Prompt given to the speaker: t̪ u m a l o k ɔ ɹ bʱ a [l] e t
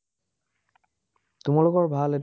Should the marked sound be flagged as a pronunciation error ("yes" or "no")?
no